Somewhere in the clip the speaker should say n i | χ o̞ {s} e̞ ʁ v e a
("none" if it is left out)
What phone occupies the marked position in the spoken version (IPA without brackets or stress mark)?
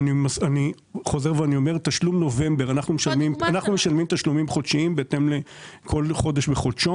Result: z